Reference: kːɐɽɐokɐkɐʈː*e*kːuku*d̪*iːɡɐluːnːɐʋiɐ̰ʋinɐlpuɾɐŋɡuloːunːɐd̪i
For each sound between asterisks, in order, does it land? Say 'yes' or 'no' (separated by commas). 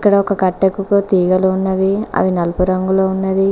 yes, no